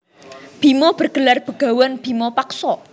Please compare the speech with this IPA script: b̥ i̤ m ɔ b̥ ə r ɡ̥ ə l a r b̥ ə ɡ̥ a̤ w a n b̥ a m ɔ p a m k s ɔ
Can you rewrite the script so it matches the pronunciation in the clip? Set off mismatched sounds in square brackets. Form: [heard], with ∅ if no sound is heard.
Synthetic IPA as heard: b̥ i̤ m ɔ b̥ ə r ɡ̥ ə l a r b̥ ə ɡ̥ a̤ w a n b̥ [i] m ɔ p a [∅] k s ɔ